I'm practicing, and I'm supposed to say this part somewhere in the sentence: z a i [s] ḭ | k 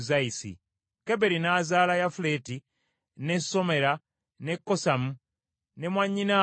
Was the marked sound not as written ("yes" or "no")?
no